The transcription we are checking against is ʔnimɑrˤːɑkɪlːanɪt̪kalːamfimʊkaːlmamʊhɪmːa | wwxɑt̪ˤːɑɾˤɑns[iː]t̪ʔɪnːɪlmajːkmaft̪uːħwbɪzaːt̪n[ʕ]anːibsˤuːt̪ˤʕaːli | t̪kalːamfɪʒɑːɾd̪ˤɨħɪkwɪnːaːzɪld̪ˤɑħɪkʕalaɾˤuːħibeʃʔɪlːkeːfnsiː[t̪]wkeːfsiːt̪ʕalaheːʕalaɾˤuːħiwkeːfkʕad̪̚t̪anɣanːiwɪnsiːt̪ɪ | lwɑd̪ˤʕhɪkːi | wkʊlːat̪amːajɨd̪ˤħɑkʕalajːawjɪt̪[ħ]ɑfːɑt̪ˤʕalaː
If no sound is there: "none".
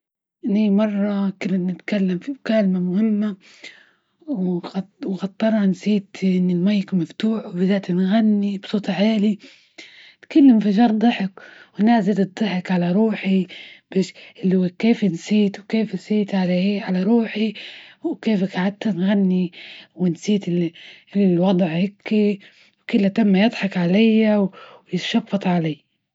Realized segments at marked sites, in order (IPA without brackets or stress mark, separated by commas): iː, ɣ, t̪, ʃ